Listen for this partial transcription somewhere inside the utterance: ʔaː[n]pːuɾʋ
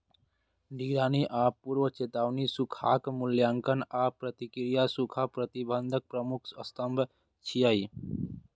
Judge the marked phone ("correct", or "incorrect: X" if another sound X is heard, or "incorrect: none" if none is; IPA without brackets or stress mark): incorrect: none